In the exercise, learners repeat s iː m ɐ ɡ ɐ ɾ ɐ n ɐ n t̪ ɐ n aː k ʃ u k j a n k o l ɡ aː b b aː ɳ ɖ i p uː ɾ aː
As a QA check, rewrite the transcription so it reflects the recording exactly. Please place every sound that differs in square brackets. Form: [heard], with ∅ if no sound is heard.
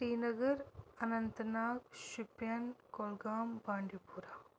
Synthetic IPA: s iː [n] ɐ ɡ ɐ ɾ ɐ n ɐ n t̪ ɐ n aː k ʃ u [p] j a n k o l ɡ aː [m] b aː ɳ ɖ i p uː ɾ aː